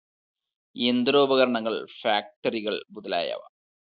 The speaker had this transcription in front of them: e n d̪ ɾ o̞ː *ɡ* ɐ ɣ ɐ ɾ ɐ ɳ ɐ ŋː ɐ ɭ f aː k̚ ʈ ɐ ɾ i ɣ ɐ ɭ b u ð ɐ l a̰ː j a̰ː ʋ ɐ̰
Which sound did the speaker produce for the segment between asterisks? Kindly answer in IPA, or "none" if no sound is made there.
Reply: b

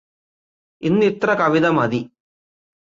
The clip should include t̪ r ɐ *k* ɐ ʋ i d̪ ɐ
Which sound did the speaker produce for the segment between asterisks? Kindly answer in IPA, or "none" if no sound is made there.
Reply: k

